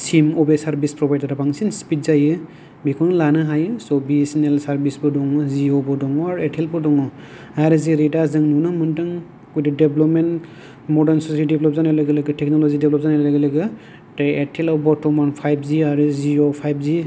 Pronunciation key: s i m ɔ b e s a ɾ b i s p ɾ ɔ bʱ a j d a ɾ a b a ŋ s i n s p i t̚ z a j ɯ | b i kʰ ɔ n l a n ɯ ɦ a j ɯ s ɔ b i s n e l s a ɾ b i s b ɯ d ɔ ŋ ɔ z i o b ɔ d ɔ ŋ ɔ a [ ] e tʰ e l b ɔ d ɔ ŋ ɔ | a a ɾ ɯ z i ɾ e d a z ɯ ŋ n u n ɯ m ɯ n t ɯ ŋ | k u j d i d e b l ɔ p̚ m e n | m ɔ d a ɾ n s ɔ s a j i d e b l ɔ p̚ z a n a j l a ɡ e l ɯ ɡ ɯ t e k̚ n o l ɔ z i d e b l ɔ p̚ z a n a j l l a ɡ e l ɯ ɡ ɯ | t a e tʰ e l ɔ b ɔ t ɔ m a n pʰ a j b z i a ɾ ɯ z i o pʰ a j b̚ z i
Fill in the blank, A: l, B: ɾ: B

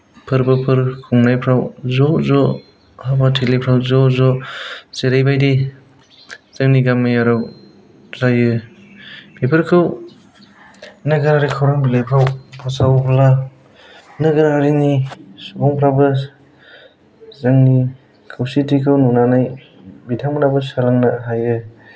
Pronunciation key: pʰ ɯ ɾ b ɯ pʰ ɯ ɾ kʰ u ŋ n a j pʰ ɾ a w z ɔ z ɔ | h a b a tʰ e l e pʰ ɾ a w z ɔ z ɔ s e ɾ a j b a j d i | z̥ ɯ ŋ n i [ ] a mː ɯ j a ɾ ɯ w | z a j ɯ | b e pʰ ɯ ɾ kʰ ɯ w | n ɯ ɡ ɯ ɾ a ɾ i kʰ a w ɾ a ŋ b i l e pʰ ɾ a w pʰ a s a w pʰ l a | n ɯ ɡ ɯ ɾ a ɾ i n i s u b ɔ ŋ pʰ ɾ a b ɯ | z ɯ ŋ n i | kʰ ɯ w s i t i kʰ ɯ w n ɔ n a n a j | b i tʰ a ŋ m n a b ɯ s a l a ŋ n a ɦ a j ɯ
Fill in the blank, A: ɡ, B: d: A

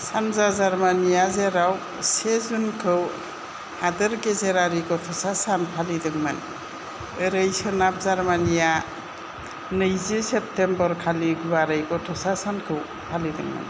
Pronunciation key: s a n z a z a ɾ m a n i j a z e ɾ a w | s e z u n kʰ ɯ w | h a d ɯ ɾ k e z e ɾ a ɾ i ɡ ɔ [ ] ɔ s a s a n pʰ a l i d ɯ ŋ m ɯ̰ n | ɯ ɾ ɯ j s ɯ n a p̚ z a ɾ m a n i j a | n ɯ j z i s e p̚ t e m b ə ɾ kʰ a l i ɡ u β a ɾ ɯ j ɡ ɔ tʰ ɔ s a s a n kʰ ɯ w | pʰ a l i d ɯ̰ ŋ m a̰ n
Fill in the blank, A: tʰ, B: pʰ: A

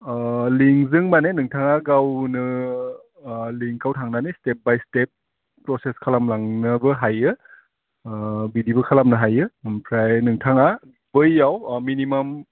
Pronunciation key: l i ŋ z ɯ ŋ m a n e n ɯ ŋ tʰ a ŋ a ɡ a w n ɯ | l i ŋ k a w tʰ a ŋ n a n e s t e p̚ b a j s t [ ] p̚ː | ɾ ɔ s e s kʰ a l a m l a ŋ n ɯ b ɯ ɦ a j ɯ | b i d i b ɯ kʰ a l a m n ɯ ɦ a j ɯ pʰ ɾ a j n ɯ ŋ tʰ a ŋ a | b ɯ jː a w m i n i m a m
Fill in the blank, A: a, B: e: B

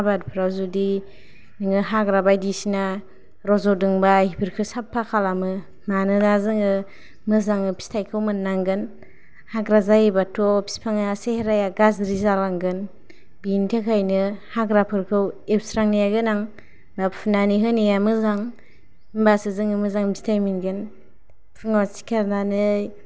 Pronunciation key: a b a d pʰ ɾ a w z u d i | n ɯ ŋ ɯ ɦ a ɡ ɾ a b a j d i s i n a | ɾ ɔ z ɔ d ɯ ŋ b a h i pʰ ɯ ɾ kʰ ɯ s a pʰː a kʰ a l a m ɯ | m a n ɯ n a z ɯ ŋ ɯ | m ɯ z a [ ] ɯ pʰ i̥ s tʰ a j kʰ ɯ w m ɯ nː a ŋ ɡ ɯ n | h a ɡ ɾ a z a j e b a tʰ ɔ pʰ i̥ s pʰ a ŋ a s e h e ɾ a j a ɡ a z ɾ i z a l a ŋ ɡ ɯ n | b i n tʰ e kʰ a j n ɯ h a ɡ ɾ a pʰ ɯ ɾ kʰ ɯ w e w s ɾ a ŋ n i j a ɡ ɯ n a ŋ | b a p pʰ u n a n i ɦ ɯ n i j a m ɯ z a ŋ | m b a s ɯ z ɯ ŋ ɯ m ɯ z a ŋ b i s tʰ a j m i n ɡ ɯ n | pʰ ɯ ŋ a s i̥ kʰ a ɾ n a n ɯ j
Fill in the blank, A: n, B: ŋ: B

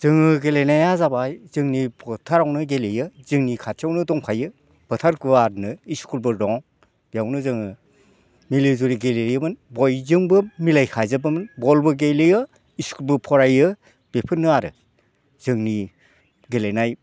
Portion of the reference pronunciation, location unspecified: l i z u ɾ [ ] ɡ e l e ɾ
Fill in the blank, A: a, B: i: B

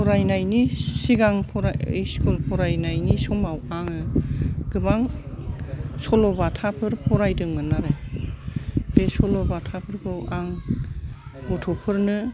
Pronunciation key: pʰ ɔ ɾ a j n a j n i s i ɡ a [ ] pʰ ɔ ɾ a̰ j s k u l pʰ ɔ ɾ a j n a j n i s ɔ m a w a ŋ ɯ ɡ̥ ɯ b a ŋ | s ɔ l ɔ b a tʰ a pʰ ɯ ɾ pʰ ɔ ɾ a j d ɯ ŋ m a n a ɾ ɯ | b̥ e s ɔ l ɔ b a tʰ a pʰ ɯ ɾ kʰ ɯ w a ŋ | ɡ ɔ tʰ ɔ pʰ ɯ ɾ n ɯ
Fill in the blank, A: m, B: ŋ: B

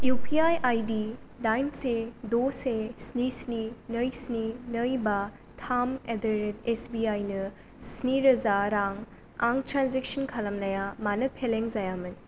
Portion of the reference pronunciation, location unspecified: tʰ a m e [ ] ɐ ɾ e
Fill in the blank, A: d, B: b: A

